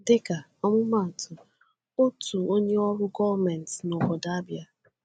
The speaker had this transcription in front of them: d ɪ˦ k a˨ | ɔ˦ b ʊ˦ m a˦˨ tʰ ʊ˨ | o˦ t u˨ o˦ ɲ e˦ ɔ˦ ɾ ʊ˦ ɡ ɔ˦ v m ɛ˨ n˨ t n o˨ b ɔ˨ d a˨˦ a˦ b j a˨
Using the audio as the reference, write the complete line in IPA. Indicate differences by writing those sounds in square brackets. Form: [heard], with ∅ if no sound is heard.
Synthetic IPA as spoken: d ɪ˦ k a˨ | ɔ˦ [m] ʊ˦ m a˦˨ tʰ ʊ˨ | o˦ t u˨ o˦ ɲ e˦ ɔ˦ ɾ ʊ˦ ɡ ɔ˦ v m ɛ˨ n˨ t n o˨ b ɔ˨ d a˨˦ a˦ b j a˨

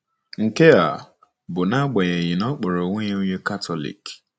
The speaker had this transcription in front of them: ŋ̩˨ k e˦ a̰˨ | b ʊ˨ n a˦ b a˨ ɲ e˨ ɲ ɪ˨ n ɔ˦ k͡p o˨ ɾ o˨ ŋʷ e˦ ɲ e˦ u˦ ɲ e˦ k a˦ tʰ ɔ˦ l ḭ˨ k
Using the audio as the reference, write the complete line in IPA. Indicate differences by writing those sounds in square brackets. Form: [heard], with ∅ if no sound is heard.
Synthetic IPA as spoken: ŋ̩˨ k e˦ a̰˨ | b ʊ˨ n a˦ [ɡ͡b] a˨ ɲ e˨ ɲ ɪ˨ n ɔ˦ k͡p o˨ ɾ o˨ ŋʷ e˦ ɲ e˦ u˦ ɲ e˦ k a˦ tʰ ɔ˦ l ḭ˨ k

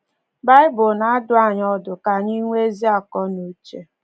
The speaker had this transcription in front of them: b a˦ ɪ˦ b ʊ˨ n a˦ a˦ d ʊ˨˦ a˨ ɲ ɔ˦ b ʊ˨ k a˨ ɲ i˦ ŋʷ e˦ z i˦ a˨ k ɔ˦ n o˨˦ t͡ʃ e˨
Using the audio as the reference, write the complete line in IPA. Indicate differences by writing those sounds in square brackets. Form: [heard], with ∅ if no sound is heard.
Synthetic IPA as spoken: b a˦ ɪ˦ b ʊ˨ n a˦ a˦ d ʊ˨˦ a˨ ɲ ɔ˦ [d] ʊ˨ k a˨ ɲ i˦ ŋʷ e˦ z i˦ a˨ k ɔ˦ n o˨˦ t͡ʃ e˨

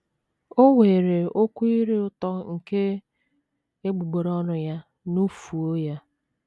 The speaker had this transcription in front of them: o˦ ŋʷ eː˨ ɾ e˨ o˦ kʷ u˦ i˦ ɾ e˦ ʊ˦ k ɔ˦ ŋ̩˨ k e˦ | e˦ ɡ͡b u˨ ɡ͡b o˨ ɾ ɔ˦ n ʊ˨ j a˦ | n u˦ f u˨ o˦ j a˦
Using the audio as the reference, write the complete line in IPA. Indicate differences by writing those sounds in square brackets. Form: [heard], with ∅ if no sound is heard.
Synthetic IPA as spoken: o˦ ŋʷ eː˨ ɾ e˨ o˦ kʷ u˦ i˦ ɾ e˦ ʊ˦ [t] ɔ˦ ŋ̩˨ k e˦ | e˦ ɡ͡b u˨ ɡ͡b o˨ ɾ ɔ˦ n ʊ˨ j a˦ | n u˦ f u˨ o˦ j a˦

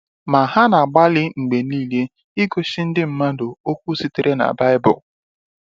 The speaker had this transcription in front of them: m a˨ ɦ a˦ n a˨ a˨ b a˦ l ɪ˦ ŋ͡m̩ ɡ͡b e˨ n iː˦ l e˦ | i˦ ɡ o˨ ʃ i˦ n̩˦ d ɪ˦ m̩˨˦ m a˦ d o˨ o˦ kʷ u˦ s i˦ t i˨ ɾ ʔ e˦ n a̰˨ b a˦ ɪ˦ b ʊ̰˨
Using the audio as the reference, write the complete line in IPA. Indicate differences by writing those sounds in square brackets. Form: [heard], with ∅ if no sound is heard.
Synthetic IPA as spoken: m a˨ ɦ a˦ n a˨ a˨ [ɡ͡b] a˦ l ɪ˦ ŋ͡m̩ ɡ͡b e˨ n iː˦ l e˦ | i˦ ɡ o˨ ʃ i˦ n̩˦ d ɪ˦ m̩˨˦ m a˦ d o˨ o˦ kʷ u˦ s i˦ t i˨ ɾ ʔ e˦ n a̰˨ b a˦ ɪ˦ b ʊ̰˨

